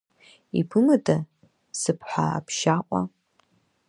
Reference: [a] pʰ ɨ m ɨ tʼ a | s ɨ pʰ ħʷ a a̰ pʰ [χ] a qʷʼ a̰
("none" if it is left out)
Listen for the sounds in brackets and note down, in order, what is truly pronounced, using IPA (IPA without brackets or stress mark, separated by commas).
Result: i, ʃ